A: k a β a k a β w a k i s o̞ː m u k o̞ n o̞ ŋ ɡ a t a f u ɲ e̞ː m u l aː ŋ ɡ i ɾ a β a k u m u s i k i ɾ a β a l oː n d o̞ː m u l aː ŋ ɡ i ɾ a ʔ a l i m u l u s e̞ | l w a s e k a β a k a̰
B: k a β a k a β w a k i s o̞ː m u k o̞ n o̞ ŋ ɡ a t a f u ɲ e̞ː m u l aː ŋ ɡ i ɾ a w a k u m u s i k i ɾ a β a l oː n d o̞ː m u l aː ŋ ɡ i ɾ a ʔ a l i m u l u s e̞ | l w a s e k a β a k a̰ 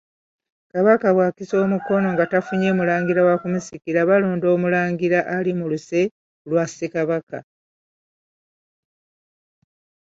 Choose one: B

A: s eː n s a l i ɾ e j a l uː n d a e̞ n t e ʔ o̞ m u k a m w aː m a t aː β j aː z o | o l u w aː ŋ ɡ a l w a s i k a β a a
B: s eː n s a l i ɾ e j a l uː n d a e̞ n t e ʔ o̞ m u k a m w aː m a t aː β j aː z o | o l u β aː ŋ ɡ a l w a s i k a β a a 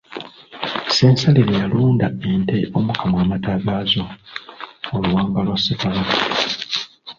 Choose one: A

